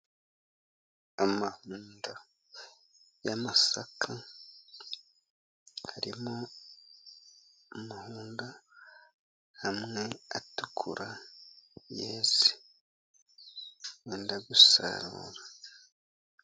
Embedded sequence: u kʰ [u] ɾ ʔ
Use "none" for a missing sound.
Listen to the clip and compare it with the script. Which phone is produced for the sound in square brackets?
u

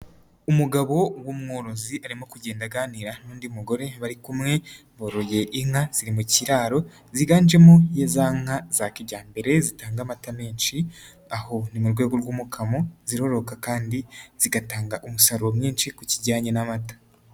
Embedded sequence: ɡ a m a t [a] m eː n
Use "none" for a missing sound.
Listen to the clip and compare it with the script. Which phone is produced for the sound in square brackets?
a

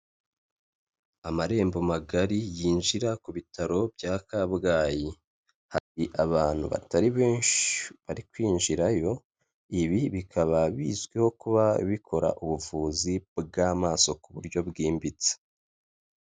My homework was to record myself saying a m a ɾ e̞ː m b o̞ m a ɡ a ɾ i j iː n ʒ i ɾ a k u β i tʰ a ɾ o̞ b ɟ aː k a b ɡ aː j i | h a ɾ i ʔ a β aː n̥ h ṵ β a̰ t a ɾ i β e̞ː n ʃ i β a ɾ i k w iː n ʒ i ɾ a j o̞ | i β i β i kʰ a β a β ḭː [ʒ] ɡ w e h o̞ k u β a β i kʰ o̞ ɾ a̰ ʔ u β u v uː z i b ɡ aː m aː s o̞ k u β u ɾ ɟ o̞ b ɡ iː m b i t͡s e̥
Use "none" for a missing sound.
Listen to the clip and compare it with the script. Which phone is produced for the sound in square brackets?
z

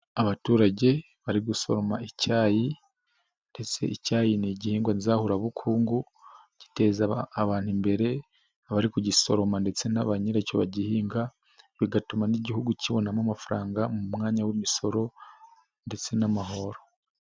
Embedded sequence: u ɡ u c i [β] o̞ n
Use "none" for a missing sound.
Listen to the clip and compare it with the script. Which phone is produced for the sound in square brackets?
β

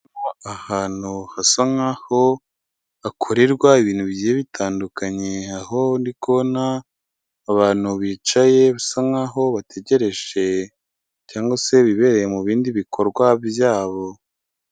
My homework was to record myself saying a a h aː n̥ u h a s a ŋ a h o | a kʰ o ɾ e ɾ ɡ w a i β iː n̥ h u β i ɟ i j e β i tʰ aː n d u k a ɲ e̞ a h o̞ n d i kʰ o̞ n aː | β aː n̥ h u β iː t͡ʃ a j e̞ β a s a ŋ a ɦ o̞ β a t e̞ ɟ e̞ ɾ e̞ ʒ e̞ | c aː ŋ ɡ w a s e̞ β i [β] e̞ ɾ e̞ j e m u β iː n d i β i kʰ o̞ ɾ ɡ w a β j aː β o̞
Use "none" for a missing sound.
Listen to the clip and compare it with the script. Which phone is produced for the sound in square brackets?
β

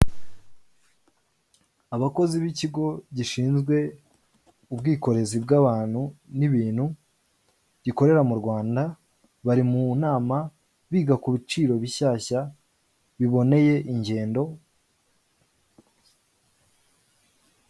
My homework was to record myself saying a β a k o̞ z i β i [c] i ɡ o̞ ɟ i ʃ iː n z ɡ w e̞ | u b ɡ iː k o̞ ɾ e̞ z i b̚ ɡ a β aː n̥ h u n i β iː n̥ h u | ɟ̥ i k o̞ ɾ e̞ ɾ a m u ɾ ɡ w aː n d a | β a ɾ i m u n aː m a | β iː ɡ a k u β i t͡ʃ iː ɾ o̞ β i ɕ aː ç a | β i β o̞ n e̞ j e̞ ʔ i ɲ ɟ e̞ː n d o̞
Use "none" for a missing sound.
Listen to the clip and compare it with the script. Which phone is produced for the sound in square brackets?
c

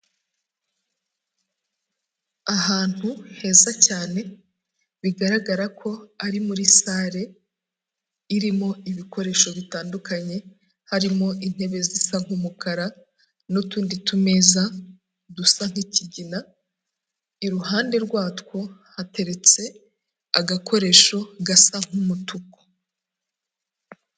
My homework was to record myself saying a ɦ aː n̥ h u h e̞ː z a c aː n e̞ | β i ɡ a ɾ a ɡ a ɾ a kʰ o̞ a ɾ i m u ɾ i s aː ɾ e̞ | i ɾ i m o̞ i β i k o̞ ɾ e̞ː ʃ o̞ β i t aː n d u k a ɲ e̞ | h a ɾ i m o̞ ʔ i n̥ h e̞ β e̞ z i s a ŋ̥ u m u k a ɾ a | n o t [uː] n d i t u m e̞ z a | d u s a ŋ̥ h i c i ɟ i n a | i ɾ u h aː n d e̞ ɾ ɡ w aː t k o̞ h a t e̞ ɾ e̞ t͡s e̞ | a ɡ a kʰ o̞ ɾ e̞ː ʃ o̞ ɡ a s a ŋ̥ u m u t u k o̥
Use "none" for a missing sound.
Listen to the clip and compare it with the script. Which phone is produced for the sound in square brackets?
uː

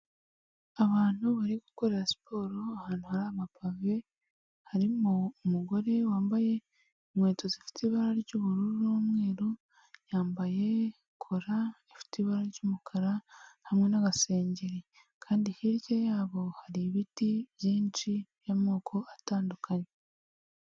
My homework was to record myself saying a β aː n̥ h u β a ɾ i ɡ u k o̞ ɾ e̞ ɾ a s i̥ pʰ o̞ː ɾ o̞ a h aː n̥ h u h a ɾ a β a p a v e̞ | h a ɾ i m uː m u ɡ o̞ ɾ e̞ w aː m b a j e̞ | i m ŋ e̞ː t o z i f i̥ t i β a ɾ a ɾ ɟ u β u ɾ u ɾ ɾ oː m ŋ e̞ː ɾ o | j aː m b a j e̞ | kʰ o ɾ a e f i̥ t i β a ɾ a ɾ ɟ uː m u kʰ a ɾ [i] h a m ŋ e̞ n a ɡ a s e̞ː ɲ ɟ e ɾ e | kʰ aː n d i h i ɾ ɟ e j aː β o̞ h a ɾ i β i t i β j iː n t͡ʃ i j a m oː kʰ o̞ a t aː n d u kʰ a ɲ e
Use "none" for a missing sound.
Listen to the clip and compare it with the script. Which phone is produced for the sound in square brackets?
a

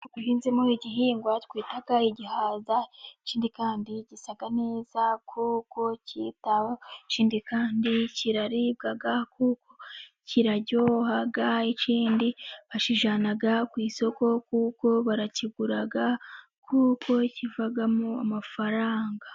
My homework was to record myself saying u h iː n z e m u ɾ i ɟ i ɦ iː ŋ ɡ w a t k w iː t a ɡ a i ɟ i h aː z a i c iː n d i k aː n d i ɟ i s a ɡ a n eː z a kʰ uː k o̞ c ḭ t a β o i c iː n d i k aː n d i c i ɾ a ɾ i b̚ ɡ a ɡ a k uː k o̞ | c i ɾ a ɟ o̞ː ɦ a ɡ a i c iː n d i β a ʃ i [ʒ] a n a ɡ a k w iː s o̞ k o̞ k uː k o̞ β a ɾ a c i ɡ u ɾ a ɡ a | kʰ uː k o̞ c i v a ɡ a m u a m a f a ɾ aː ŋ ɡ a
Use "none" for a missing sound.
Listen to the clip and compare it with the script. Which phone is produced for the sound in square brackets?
ʒ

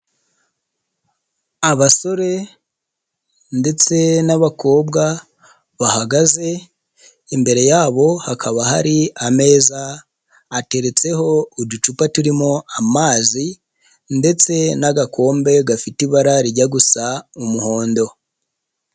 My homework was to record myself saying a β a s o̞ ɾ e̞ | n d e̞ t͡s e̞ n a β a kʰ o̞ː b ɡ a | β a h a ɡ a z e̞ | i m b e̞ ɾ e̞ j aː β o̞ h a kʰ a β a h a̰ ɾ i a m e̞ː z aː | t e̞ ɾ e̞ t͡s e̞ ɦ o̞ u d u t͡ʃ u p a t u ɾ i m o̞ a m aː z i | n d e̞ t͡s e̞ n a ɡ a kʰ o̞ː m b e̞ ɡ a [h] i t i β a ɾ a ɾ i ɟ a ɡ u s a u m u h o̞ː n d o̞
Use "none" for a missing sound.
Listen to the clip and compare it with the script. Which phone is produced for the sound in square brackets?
f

